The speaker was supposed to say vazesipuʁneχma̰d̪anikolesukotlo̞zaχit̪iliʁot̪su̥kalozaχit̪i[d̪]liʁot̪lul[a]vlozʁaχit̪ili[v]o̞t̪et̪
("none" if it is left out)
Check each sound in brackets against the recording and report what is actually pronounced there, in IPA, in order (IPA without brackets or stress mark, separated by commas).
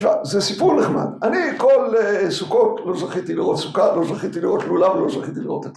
none, a, ʁ